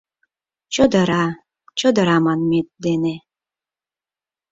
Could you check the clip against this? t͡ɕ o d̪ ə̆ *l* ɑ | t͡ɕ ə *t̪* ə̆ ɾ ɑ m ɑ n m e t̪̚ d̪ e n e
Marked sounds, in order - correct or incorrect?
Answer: incorrect: ɾ, incorrect: d̪

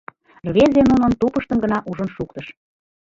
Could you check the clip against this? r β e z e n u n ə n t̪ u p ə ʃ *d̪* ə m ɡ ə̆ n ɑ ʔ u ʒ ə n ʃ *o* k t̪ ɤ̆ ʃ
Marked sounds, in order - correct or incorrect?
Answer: incorrect: t̪, incorrect: u

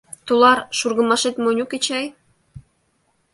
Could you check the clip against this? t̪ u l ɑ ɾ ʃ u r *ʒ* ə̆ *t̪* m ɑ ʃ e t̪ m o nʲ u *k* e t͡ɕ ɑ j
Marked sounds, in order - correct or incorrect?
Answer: incorrect: ɣ, incorrect: none, correct

